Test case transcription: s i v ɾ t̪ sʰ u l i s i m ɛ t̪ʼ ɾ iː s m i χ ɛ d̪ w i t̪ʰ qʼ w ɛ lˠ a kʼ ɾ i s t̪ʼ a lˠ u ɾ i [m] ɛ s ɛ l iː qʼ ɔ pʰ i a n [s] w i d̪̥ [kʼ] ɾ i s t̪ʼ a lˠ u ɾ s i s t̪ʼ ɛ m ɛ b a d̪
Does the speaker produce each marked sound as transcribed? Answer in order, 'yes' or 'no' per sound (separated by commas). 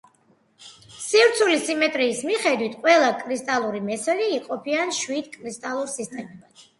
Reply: yes, no, yes